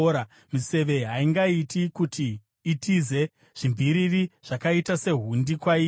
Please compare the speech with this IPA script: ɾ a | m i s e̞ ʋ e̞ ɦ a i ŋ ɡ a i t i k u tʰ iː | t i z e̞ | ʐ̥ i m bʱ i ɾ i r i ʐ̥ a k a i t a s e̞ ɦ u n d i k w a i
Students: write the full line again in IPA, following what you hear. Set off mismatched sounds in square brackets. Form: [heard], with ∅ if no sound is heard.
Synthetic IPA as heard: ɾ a | m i s e̞ ʋ e̞ ɦ a i ŋ ɡ a i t i k u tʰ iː | t i z e̞ | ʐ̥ i m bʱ i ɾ i r i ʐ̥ a k a i t a s e̞ ɦ u n d i k w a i